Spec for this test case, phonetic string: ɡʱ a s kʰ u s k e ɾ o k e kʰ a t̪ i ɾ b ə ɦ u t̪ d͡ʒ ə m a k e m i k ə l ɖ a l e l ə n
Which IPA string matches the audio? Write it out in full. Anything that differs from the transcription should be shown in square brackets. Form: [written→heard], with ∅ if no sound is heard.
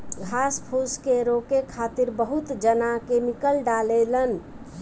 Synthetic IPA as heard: ɡʱ a s [kʰ→pʰ] u s k e ɾ o k e kʰ a t̪ i ɾ b ə ɦ u t̪ d͡ʒ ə [m→n] a k e m i k ə l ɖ a l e l ə n